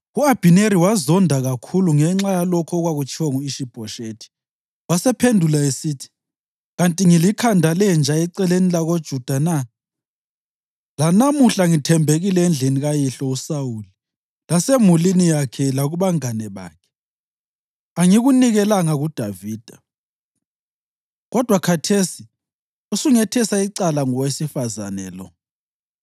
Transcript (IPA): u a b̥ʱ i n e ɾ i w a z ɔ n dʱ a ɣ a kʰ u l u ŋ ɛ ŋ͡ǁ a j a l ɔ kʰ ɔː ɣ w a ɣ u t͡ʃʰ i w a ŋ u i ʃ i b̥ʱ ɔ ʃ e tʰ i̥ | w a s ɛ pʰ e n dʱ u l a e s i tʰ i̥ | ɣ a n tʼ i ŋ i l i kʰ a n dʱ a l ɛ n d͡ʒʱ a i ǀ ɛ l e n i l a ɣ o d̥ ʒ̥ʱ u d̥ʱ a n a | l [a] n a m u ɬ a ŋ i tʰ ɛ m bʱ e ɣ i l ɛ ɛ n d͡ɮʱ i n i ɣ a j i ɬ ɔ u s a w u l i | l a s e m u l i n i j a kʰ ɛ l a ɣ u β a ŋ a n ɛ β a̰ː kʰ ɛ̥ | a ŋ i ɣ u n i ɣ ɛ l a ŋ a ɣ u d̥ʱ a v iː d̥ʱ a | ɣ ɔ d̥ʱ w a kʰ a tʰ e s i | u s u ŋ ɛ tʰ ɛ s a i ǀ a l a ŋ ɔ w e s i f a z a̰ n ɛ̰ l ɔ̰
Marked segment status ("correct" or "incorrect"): correct